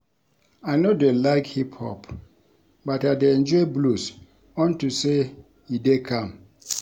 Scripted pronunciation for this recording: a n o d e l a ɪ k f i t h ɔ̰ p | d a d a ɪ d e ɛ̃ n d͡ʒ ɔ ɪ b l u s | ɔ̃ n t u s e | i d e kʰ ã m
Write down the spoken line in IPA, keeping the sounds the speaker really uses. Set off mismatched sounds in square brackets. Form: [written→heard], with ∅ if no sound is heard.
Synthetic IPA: a n o d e l a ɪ k [f→h] i [t→p] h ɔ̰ p | [d→b] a [d→t] a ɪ d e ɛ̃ n d͡ʒ ɔ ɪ b l u s | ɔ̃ n t u s e | i d e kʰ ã m